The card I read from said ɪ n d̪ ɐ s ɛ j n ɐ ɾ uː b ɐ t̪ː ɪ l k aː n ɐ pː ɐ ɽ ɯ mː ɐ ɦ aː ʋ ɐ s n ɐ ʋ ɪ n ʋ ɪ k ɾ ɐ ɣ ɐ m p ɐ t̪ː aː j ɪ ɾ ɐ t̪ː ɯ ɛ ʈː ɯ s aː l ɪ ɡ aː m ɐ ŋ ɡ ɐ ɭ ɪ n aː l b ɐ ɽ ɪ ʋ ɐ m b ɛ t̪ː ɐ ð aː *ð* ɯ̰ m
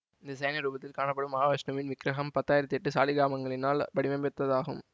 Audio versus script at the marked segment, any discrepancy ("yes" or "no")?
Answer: yes